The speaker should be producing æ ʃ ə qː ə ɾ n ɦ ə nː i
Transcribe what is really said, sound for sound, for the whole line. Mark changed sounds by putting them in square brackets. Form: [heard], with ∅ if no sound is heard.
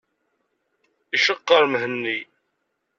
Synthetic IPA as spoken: [i] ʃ ə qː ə ɾ [m] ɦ ə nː i